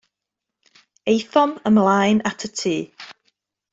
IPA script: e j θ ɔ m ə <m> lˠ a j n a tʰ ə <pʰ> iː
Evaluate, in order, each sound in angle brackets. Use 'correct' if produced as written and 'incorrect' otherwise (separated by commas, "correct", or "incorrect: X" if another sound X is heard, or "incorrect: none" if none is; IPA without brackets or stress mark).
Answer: correct, incorrect: tʰ